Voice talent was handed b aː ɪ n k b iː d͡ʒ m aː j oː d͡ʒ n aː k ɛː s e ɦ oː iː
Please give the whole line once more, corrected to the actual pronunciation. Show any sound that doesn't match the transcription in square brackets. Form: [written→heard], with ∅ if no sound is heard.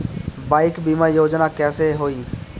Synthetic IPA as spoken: b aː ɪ [n→∅] k b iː [d͡ʒ→∅] m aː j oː d͡ʒ n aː k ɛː s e ɦ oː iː